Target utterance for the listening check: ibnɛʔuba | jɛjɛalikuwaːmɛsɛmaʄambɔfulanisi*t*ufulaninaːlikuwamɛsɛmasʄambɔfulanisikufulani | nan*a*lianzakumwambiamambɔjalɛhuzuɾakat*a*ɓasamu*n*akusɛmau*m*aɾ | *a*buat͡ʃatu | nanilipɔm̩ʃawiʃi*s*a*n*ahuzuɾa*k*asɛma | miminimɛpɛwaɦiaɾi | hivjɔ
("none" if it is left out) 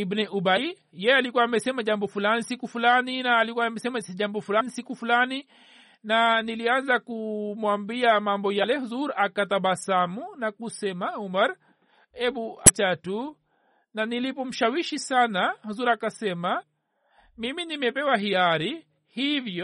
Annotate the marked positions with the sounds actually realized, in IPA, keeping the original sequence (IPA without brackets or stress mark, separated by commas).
k, i, a, n, m, ɛ, s, n, k